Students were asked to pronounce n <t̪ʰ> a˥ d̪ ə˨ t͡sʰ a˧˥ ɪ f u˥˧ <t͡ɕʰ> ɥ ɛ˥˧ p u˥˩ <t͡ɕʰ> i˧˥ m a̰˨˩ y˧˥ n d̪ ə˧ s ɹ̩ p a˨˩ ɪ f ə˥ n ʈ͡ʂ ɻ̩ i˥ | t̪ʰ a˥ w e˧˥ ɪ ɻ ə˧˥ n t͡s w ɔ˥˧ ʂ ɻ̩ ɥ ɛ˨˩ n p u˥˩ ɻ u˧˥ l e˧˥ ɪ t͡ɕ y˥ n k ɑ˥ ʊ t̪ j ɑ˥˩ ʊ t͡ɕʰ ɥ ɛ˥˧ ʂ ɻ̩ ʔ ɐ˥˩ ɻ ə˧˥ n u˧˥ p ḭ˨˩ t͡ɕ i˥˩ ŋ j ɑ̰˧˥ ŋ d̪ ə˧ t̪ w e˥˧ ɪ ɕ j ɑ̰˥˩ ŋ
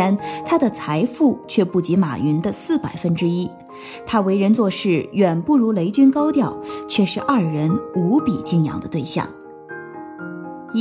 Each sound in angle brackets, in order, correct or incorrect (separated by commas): correct, correct, incorrect